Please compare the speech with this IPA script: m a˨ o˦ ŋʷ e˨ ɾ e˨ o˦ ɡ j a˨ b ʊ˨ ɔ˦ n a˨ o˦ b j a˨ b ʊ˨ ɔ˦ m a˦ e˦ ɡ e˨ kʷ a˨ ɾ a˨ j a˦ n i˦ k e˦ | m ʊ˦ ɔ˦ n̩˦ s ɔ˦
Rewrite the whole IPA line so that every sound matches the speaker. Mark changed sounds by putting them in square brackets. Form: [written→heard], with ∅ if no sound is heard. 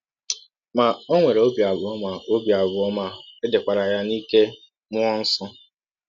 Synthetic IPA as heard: m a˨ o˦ ŋʷ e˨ ɾ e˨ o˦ [ɡ→b] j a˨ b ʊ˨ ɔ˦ [n→m] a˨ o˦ b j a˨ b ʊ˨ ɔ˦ m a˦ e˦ [ɡ→d] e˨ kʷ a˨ ɾ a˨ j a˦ n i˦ k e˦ | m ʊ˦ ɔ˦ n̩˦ s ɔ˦